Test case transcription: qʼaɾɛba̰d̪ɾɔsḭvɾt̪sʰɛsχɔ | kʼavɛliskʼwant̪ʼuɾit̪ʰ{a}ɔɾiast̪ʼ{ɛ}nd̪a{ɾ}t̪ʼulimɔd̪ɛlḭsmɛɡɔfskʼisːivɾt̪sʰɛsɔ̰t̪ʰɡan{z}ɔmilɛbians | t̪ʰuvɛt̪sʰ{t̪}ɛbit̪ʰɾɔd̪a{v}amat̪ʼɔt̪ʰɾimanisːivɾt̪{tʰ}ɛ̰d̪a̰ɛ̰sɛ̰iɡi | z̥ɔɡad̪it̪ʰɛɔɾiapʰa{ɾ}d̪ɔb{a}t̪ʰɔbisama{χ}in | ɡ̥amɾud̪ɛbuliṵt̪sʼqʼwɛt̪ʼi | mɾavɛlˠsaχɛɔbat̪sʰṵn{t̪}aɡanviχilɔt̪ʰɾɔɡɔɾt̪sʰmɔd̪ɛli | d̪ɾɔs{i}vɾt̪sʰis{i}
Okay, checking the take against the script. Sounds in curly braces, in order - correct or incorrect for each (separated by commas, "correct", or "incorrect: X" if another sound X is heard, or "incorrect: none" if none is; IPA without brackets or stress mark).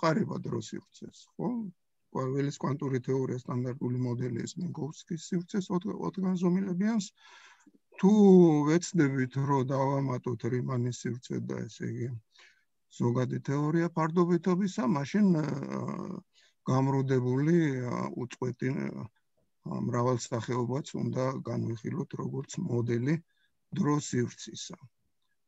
incorrect: ɛ, incorrect: a, correct, correct, incorrect: d̪, correct, incorrect: sʰ, correct, incorrect: i, incorrect: ʃ, incorrect: d̪, correct, incorrect: a